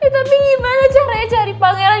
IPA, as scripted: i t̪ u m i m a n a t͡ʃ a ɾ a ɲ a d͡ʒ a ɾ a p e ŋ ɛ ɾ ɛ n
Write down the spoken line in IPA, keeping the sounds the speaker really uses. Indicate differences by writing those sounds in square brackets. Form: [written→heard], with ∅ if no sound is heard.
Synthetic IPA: i t̪ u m i m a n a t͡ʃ a ɾ a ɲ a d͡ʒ a ɾ [a→i] p [e→a] ŋ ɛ ɾ [ɛ→a] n